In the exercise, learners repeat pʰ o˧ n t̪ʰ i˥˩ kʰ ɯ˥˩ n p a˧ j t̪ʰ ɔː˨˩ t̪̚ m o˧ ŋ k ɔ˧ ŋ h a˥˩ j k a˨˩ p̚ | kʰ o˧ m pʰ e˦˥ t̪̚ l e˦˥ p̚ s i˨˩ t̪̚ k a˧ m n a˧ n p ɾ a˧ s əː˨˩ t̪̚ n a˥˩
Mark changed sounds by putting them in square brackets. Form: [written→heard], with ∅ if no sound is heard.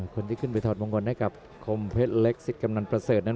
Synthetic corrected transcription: [pʰ→kʰ] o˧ n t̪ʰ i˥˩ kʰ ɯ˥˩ n p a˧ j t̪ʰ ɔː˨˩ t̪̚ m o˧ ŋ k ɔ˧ [ŋ→n] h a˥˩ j k a˨˩ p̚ | kʰ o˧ m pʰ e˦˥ t̪̚ l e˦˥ [p̚→k̚] s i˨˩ t̪̚ k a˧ m n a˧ n p ɾ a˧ s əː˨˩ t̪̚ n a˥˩